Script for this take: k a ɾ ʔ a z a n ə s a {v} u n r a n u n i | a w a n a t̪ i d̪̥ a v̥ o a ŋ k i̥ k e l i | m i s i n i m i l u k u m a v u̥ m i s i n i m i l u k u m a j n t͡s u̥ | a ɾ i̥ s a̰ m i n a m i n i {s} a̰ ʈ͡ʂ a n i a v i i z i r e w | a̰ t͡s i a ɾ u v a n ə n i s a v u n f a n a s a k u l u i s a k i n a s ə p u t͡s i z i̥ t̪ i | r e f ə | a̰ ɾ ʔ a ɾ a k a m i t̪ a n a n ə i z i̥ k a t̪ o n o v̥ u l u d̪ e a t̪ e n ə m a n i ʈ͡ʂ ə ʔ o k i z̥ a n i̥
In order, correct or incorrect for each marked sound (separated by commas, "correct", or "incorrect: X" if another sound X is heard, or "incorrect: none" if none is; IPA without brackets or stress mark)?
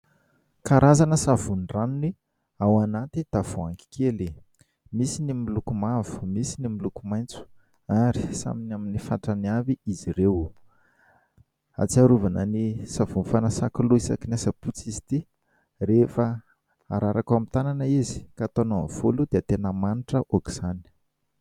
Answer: correct, incorrect: f